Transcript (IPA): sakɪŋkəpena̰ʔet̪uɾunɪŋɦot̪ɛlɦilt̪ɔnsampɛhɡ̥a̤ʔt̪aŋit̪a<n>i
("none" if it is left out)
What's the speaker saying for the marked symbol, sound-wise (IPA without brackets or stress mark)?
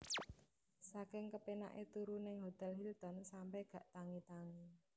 ŋ